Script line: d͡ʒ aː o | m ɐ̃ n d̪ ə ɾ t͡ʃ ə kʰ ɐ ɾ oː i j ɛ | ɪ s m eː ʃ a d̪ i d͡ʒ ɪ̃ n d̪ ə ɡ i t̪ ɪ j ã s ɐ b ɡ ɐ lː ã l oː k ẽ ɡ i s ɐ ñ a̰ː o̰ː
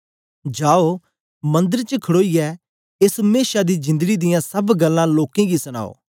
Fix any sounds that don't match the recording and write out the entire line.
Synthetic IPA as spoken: d͡ʒ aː o | m ɐ̃ n d̪ ə ɾ t͡ʃ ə kʰ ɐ ɽ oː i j ɛ | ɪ s m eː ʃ a d̪ i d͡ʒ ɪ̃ n d̪ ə ɡ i d̪ ɪ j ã s ɐ b ɡ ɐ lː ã l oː k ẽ ɡ i s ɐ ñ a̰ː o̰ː